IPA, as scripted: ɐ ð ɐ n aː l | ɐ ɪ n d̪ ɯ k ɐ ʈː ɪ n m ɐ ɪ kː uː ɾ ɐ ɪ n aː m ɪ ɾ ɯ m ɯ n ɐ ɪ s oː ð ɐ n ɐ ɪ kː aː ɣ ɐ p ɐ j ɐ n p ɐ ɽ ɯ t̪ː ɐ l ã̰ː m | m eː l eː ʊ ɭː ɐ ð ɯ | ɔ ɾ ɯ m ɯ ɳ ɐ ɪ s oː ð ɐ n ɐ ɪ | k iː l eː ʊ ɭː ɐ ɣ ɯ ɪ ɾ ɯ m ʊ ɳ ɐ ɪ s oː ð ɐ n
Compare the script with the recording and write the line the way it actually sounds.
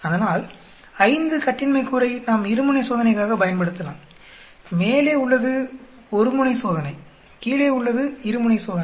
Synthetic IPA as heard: ɐ ð ɐ n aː l | ɐ ɪ n d̪ ɯ k ɐ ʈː ɪ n m ɐ ɪ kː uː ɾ ɐ ɪ n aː m ɪ ɾ ɯ m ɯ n ɐ ɪ s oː ð ɐ n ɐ ɪ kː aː ɣ ɐ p ɐ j ɐ n p ɐ ɽ ɯ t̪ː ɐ l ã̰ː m | m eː l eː ʊ ɭː ɐ ð ɯ | ɔ ɾ ɯ m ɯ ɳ ɐ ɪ s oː ð ɐ n ɐ ɪ | k iː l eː ʊ ɭː ɐ ð ɯ ɪ ɾ ɯ m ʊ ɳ ɐ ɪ s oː ð ɐ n